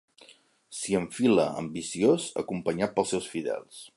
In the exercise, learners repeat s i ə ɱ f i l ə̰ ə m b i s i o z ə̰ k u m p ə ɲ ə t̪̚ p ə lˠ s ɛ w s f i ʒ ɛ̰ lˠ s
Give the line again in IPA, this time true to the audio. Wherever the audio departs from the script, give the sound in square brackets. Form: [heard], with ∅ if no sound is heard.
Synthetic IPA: s i ə ɱ f i l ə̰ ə m b i s i o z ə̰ k u m p ə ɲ [a] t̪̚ p ə lˠ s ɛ w s f i [ð] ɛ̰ lˠ s